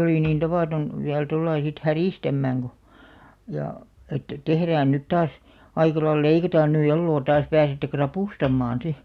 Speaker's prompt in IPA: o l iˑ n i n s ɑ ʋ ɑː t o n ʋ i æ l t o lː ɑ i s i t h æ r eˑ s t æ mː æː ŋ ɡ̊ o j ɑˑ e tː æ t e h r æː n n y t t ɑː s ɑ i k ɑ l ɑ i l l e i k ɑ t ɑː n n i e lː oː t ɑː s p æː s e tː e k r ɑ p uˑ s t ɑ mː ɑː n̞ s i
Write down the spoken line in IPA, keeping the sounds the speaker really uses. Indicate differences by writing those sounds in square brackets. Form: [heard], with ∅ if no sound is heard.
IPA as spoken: o l iˑ n [iː] n [t] ɑ ʋ ɑː t o n ʋ i æ l t o lː ɑ i s i t h æ r [iˑ] s t æ mː æː ŋ ɡ̊ o j ɑˑ e tː æ t e h r æː n n y t t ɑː s ɑ i k ɑ l ɑ i l l e i k ɑ t ɑː n n [y] e lː oː t ɑː s p æː s e tː e k r ɑ p uˑ s t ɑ mː ɑː n̞ s i